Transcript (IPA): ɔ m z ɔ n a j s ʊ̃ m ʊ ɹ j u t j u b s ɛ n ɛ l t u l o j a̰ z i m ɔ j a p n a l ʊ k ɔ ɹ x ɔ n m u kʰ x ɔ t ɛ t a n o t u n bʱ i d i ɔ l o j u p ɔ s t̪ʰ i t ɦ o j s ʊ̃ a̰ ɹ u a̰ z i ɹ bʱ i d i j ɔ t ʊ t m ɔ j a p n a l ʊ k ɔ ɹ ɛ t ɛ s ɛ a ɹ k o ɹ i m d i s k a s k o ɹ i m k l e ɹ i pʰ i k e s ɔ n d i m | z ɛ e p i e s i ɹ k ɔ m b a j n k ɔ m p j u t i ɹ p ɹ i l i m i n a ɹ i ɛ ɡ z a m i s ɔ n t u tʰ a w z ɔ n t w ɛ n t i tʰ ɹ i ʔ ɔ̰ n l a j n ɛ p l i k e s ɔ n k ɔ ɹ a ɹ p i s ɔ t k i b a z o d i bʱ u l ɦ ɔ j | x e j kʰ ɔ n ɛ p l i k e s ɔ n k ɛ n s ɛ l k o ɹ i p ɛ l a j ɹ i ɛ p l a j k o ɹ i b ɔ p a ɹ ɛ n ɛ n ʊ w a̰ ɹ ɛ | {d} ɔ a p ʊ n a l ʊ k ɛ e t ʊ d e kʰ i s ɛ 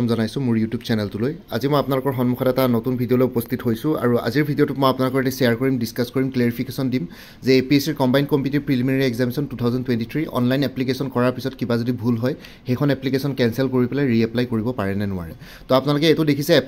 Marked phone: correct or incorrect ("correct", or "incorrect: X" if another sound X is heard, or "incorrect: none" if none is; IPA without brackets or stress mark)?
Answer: incorrect: t